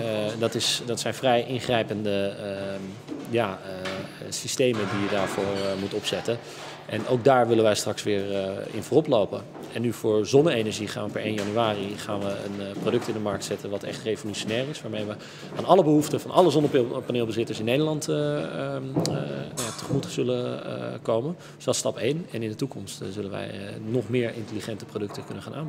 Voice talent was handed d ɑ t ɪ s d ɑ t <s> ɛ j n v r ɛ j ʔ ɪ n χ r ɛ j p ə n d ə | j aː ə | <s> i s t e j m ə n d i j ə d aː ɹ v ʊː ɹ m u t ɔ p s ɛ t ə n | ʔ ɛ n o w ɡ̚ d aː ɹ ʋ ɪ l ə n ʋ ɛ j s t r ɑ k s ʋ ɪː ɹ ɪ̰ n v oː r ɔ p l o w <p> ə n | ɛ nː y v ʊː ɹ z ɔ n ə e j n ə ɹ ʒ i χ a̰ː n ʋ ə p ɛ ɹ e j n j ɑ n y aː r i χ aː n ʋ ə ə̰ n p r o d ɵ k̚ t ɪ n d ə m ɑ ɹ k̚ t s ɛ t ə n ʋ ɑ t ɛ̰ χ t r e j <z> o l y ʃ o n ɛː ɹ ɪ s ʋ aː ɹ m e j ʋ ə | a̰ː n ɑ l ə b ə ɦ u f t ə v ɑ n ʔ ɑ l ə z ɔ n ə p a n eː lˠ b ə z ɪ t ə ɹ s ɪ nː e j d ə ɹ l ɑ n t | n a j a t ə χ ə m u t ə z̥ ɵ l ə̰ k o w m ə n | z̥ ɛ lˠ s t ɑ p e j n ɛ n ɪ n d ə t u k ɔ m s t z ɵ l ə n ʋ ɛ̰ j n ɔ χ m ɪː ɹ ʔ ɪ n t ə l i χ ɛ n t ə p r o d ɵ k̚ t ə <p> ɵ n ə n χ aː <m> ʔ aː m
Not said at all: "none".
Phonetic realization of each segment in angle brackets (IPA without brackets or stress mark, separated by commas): s, s, p, v, k, n